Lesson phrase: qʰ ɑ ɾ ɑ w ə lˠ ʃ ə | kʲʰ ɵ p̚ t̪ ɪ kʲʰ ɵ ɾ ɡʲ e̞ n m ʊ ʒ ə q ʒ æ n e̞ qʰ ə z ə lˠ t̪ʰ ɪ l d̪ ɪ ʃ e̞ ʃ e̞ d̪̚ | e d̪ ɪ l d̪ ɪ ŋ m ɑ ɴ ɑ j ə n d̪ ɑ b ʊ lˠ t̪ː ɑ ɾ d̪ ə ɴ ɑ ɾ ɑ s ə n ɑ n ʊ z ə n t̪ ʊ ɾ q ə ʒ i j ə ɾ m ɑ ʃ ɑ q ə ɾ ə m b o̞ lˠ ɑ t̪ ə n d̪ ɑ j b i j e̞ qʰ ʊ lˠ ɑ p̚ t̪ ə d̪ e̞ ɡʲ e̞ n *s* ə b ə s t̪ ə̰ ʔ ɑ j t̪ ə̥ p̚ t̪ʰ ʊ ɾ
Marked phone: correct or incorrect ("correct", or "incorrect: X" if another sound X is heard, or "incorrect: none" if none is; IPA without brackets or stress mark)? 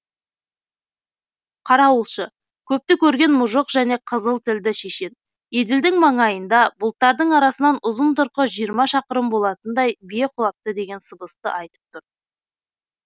correct